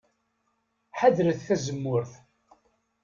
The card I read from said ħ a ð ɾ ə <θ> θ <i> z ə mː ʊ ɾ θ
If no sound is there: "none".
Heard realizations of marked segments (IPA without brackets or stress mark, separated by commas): θ, æ